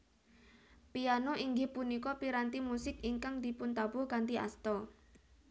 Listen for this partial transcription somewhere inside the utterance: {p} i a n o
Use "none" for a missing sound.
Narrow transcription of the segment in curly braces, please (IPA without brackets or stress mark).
p